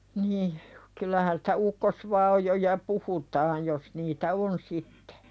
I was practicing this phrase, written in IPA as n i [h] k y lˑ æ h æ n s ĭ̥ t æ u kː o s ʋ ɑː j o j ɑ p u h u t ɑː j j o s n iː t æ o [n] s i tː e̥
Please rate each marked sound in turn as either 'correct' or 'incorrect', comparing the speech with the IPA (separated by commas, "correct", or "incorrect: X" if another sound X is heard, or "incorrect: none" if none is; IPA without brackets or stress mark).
correct, correct